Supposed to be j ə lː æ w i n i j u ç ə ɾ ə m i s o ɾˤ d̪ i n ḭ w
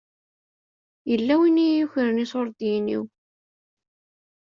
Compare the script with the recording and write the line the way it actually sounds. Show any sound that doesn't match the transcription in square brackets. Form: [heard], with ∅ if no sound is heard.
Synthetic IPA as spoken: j ə lː æ w i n i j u ç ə ɾ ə [n] i s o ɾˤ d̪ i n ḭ w